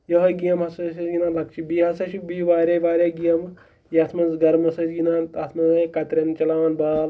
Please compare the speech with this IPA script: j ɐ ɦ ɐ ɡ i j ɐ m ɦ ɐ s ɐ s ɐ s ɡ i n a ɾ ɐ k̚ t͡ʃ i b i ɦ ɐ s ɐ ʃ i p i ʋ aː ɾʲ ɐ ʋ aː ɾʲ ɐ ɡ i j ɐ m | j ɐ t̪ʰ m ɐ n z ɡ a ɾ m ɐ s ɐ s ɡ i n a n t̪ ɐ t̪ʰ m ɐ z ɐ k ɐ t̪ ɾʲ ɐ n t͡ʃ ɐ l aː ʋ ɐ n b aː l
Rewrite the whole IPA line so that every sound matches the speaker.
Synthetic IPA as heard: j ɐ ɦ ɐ ɡ i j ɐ m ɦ ɐ s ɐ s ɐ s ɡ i n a l ɐ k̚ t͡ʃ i b i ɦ ɐ s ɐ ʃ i b i ʋ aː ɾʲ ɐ ʋ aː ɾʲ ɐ ɡ i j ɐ m | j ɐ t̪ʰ m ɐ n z ɡ ɐ ɾ m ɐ s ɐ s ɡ i n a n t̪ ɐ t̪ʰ m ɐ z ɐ k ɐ t̪ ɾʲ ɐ n t͡ʃ ɐ l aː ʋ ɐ n b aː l